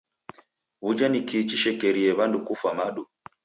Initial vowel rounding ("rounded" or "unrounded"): rounded